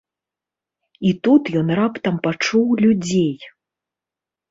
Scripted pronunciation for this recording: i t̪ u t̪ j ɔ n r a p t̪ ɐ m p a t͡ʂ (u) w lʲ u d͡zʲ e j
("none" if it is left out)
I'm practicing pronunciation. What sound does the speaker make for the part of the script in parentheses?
u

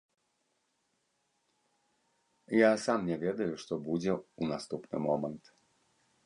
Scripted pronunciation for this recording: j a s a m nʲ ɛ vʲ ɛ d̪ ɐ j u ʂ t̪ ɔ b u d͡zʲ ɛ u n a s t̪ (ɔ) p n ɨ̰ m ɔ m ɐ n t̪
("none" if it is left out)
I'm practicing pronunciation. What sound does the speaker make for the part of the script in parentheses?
u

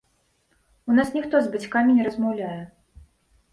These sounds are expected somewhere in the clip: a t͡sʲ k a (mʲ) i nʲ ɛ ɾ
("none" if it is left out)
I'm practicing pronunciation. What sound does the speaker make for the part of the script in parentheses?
mʲ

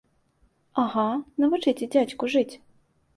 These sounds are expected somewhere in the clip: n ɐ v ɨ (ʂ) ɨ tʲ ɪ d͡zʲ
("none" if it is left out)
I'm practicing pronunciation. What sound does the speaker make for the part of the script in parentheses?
t͡ʂ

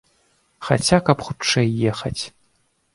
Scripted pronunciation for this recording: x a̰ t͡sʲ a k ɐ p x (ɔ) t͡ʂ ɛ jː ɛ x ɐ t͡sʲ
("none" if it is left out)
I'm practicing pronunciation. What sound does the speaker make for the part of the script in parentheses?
u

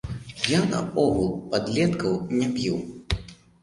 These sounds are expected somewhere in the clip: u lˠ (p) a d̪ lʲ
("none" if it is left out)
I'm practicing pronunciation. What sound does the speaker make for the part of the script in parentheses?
p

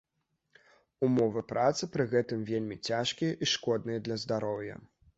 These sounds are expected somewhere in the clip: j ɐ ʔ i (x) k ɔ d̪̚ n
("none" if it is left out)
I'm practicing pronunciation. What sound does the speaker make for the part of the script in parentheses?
ʂ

